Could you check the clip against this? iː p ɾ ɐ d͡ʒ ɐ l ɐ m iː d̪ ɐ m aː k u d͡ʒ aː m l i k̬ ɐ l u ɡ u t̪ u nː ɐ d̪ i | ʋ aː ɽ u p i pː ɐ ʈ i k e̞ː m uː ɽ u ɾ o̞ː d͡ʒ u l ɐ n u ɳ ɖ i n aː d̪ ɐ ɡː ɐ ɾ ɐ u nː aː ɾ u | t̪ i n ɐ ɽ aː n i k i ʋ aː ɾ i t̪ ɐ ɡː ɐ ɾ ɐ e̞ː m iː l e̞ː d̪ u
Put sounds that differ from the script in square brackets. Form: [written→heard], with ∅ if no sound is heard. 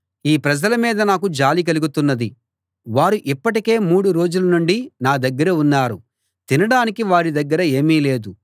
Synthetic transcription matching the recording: iː p ɾ ɐ d͡ʒ ɐ l ɐ m iː d̪ ɐ [m→n] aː k u d͡ʒ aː [m→∅] l i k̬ ɐ l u ɡ u t̪ u nː ɐ d̪ i | ʋ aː [ɽ→ɾ] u [p→ʔ] i pː ɐ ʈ i k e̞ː m uː ɽ u ɾ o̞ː d͡ʒ u l ɐ n u ɳ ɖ i n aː d̪ ɐ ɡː ɐ ɾ ɐ u nː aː ɾ u | t̪ i n ɐ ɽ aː n i k i ʋ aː ɾ i [t̪→d̪] ɐ ɡː ɐ ɾ ɐ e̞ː m iː l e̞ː d̪ u